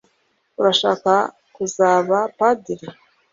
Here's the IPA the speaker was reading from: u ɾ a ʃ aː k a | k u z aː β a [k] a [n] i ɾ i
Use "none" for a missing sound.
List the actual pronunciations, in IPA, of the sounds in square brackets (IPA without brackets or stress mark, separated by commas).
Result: p, d